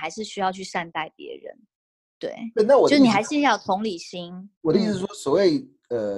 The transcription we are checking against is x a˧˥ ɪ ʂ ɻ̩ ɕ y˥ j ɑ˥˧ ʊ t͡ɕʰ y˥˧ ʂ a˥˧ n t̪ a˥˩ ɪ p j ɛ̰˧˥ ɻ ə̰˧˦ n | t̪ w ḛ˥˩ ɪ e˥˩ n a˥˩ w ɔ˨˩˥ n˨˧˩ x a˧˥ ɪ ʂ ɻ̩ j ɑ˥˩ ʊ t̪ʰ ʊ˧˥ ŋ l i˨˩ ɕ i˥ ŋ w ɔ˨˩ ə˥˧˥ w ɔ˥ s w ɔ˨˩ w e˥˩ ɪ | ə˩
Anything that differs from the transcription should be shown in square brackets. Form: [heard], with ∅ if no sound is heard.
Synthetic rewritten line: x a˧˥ ɪ ʂ ɻ̩ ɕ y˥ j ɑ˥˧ ʊ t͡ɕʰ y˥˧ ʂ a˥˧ n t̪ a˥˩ ɪ p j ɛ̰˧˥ ɻ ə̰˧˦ n | t̪ w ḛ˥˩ ɪ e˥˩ n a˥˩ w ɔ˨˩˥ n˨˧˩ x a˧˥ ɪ ʂ ɻ̩ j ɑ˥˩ ʊ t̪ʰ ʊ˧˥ ŋ l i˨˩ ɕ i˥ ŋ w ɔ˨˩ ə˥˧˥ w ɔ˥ s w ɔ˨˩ w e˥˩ ɪ | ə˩